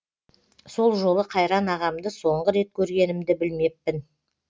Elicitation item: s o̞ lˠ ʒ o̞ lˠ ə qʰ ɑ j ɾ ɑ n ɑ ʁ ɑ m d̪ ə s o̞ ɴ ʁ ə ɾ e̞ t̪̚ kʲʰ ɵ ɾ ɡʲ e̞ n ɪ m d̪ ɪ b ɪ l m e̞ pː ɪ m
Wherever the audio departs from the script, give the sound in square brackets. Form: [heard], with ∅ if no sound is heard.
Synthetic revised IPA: s o̞ lˠ ʒ o̞ lˠ ə qʰ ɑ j ɾ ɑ n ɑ ʁ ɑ m d̪ ə s o̞ ɴ ʁ ə ɾ e̞ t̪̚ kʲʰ ɵ ɾ ɡʲ e̞ n ɪ m d̪ ɪ b ɪ l m e̞ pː ɪ [n]